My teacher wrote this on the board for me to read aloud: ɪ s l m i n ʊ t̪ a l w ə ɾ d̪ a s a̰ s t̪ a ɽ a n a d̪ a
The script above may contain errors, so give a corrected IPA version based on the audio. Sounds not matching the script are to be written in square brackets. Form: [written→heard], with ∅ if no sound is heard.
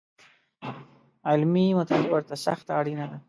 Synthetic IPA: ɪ [s→∅] l m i [n→m] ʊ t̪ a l w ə ɾ [d̪→t̪] a s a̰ [s→x] t̪ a ɽ [a→i] n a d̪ a